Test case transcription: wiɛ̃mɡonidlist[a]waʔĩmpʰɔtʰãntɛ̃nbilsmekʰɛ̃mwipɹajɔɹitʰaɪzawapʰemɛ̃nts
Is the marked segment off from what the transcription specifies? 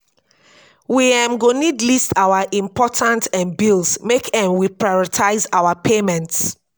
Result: no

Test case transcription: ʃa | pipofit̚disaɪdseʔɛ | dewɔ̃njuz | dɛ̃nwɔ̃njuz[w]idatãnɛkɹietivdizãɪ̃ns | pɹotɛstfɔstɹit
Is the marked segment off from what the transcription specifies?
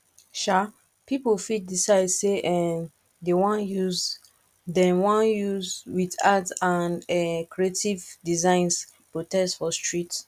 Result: no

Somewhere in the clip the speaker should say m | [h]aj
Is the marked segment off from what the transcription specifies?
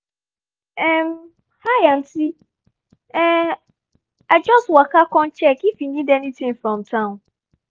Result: no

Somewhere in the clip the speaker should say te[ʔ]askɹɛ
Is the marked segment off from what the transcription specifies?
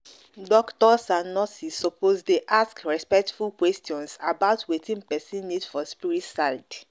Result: no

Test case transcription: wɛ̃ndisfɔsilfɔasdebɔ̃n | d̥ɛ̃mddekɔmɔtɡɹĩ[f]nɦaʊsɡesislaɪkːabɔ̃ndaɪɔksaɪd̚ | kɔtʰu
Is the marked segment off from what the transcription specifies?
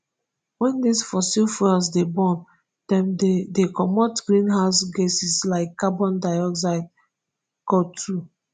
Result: yes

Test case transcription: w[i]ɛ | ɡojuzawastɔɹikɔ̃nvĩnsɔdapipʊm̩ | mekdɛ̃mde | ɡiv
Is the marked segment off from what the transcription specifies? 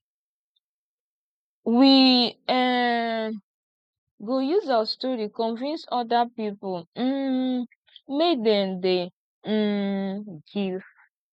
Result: no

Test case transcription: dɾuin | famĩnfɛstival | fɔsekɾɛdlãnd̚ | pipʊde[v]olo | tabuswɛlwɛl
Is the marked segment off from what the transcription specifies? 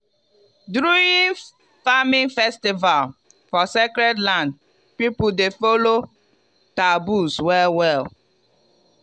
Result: yes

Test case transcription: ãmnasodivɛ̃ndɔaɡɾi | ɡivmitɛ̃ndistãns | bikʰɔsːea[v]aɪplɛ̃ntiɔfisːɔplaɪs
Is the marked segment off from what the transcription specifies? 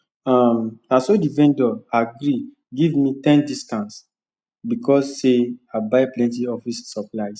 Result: yes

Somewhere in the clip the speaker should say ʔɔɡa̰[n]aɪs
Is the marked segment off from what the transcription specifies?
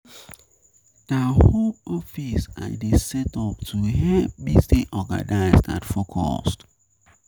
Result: no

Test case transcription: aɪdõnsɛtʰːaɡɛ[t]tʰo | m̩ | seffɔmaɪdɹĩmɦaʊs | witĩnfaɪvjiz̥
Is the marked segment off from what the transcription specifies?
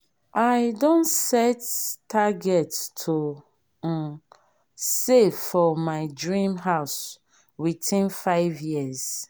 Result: no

